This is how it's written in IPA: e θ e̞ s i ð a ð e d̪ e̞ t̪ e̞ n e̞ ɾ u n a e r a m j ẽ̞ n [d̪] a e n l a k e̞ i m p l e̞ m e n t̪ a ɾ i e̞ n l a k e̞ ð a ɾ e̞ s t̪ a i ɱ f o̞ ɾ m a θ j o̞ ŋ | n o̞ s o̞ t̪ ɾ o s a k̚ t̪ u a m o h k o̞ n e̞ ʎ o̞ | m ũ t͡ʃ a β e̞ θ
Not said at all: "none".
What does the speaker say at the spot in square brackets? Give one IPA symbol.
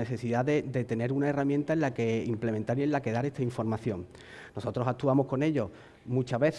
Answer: t̪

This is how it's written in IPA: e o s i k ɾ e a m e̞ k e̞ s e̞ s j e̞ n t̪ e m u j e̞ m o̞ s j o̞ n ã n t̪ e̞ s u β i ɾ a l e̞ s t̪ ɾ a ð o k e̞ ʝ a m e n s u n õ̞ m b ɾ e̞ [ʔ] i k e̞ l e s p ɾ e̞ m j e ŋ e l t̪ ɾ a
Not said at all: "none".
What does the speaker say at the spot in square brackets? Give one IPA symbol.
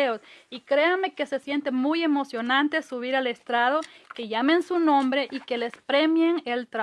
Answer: ʔ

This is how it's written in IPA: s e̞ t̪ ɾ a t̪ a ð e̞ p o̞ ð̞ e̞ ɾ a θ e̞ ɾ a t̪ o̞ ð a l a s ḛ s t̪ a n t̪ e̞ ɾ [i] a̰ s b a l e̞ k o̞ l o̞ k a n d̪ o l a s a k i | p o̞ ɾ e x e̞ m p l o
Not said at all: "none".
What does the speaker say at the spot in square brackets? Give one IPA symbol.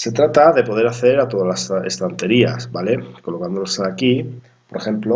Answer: i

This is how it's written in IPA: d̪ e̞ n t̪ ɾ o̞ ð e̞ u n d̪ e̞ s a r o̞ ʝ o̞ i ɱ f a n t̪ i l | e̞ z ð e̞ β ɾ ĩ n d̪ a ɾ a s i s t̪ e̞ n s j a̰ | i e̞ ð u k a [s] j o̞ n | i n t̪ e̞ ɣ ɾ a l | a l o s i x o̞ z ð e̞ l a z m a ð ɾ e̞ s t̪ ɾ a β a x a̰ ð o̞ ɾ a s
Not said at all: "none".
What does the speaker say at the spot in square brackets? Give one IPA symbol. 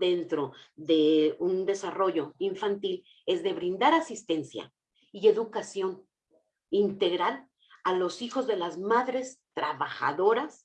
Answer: s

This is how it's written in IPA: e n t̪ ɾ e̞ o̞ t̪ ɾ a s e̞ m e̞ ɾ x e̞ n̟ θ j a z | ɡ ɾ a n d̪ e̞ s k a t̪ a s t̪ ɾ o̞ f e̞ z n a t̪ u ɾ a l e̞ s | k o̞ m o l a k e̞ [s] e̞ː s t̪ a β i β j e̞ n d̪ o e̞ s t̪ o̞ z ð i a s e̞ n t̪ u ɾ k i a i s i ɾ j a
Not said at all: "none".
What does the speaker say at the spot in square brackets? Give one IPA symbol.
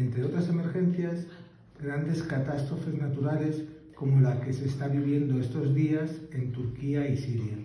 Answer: s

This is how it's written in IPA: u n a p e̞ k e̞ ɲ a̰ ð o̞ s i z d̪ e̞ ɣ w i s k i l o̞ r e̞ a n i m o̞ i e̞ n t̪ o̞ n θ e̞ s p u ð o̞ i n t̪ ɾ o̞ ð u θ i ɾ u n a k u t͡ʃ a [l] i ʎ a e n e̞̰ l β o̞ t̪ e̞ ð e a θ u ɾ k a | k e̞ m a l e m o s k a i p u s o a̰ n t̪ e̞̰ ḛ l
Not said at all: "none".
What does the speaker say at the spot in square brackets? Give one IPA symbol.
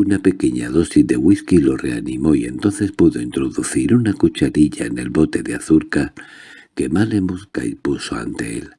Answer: ɾ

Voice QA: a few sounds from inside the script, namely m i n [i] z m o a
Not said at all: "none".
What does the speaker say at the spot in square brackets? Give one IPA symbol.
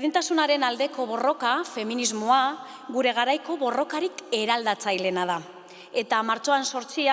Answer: i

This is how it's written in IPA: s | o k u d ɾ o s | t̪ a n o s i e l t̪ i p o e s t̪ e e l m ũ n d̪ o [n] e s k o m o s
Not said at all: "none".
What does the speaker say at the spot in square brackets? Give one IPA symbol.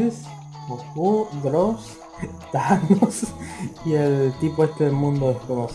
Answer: none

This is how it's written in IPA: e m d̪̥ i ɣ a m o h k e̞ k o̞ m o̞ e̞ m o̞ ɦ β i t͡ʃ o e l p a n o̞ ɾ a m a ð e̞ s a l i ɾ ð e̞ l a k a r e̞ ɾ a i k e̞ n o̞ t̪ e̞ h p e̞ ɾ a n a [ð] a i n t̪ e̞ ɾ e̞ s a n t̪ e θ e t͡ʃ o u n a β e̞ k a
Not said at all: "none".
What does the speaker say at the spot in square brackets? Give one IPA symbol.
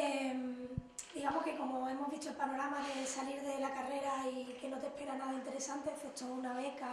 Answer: ð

